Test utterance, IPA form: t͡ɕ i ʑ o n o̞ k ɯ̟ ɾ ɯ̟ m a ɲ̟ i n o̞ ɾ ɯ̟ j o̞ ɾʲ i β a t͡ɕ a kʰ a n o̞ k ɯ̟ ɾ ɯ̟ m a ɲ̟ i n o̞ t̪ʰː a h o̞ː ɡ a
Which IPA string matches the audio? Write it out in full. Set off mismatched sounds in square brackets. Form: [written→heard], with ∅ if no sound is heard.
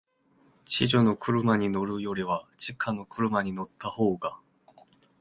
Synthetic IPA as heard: t͡ɕ i ʑ o n o̞ k ɯ̟ ɾ ɯ̟ m a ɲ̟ i n o̞ ɾ ɯ̟ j o̞ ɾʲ i β a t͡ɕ [a→i] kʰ a n o̞ k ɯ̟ ɾ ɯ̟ m a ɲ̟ i n o̞ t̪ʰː a h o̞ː ɡ a